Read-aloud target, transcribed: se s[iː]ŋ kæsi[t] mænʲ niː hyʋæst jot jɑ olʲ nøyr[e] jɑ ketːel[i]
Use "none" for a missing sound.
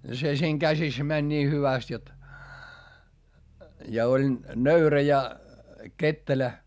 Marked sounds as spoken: iː, s, æ, æ

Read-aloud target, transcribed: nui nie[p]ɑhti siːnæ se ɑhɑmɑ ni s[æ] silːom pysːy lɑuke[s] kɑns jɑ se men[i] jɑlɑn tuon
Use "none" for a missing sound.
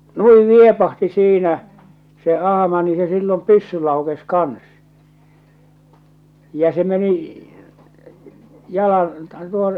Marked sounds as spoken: p, e, s, i

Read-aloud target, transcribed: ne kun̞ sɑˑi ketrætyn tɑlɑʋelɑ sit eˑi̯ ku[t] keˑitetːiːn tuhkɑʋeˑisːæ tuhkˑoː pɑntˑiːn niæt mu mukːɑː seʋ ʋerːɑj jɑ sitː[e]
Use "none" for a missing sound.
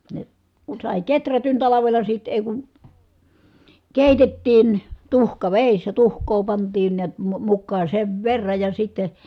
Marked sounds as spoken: none, e

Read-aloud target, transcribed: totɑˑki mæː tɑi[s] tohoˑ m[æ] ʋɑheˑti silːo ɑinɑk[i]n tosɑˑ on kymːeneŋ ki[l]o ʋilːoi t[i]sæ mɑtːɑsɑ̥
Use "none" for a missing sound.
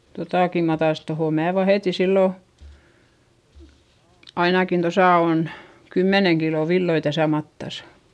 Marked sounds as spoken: s, æː, i, l, æ

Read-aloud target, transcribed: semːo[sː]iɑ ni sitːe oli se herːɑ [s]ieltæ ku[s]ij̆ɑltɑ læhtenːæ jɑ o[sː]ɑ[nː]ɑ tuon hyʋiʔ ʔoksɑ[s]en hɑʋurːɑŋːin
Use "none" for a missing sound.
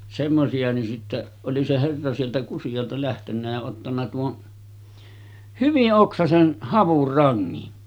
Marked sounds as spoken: s, s, s, tː, nː, s

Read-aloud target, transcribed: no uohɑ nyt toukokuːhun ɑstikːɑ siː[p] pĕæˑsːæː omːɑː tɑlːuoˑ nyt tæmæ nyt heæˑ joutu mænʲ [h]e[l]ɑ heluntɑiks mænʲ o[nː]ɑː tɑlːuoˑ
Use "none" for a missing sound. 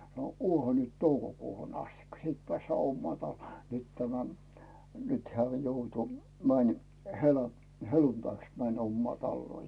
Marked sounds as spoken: t, h, l, mː

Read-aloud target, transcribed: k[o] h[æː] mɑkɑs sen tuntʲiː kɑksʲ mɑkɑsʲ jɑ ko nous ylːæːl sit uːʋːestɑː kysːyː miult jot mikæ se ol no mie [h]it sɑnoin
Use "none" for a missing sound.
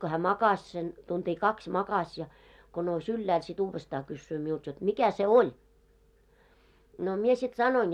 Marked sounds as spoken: o, æː, s

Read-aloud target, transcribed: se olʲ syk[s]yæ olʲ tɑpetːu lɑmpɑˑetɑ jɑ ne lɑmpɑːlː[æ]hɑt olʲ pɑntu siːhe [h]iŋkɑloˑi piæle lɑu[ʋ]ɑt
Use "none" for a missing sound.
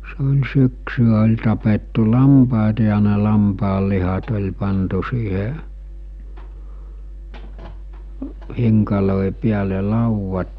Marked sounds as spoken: s, i, h, ʋː

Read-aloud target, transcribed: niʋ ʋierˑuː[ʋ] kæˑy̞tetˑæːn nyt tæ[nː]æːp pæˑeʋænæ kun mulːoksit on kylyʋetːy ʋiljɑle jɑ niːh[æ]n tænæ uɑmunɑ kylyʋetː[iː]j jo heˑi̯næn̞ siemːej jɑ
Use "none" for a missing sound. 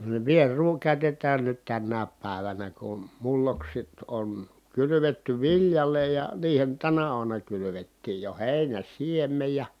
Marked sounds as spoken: none, nː, e, iː

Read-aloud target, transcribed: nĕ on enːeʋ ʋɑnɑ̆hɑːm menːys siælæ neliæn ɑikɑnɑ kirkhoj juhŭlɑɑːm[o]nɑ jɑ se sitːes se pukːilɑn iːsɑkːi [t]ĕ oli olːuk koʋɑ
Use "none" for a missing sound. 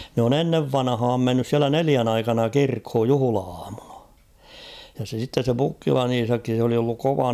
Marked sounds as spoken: u, s

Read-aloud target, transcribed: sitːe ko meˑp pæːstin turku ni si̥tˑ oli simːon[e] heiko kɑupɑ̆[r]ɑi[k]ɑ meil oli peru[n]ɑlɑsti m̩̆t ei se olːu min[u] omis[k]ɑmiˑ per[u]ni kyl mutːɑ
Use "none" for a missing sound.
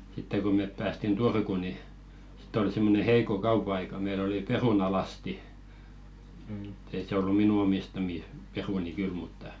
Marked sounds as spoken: e, none, k, n, u, t, u

